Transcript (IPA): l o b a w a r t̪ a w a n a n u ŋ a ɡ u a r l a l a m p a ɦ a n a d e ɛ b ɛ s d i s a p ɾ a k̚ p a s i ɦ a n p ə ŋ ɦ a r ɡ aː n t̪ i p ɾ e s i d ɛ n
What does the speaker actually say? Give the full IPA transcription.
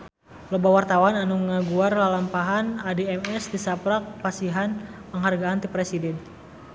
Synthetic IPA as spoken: l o b a w a r t̪ a w a n a n u ŋ a ɡ u a r l a l a m p a ɦ a n a d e ɛ m ɛ s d i s a p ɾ a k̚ p a s i ɦ a n p ə ŋ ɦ a r ɡ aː n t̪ i p ɾ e s i d ɛ n

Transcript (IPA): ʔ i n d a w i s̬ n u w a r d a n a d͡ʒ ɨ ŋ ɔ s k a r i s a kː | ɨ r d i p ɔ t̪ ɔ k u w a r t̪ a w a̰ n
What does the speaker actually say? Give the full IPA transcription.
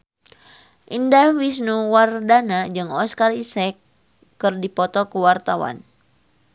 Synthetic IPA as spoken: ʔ i n d a w i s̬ n u w a r d a n a d͡ʒ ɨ ŋ ɔ s k a r i s ɛ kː | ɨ r d i p ɔ t̪ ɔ k u w a r t̪ a w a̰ n

